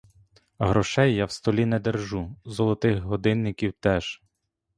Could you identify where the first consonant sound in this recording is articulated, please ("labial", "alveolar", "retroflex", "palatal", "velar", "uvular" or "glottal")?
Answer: glottal